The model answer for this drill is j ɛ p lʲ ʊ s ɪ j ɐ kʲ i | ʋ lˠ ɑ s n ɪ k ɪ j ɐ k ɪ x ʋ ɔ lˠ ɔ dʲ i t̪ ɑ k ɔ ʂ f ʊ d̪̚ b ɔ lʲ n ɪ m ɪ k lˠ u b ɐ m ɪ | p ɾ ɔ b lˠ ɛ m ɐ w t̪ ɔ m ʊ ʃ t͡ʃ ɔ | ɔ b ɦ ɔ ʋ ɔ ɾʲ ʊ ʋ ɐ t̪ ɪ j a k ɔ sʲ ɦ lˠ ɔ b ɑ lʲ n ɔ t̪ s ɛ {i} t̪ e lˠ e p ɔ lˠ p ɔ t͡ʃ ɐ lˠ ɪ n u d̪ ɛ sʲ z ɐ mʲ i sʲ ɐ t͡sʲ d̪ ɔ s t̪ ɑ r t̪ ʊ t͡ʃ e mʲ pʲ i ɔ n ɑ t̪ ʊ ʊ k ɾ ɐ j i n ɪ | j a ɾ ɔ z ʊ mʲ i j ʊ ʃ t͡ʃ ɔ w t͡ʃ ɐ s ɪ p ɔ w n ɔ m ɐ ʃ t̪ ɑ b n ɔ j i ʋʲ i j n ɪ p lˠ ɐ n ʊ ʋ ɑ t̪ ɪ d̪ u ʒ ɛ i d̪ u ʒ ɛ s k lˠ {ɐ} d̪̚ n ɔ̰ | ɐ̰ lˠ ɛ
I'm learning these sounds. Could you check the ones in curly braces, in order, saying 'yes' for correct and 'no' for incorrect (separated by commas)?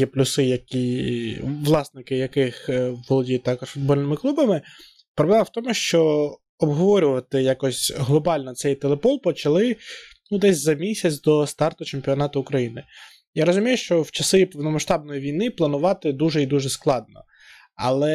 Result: no, no